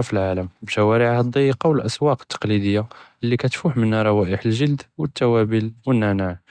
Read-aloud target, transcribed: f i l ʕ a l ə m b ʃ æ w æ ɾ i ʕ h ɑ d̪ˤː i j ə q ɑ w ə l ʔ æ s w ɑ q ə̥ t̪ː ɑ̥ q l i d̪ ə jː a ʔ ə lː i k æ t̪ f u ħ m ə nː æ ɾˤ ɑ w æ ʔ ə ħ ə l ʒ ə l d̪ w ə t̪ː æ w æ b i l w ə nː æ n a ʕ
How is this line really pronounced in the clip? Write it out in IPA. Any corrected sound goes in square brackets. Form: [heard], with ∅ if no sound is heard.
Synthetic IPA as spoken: f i l ʕ a l ə m b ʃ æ w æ ɾ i ʕ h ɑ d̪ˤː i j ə q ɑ w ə l ʔ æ s w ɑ q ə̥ t̪ː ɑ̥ q l i d̪ ə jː a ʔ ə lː i k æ t̪ f u ħ m ə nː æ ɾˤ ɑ w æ ʔ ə ħ ə l ʒ ə l d̪ w ə t̪ː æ w æ b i l w ə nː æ n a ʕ